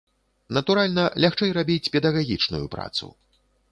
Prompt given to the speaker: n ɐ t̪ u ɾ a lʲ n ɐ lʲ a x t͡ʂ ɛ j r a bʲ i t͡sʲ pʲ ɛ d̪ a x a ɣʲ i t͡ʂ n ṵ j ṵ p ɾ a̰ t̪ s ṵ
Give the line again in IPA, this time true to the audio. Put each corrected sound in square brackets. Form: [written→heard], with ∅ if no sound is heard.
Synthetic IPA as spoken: n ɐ t̪ u ɾ a lʲ n ɐ lʲ a x t͡ʂ ɛ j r a bʲ i t͡sʲ pʲ ɛ d̪ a [x→ɣ] a ɣʲ i t͡ʂ n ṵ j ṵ p ɾ a̰ t̪ s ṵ